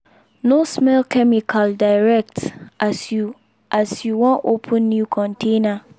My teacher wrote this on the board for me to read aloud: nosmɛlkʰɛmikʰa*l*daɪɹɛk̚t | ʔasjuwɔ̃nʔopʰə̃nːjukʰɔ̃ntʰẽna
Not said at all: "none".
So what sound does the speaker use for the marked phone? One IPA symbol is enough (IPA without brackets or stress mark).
l